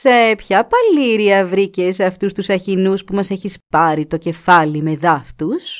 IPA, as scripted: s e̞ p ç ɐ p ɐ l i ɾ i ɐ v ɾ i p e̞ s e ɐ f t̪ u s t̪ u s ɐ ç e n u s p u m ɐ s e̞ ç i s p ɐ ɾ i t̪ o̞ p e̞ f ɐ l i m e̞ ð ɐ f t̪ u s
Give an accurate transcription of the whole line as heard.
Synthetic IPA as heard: s e̞ p ç ɐ p ɐ l i ɾ i ɐ v ɾ i c e̞ s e ɐ f t̪ u s t̪ u s ɐ ç i n u s p u m ɐ s e̞ ç i s p ɐ ɾ i t̪ o̞ c e̞ f ɐ l i m e̞ ð ɐ f t̪ u s